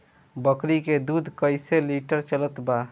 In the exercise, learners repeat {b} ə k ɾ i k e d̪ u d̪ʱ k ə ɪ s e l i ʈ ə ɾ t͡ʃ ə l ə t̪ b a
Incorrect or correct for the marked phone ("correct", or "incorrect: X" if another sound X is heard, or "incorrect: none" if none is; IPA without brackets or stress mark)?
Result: correct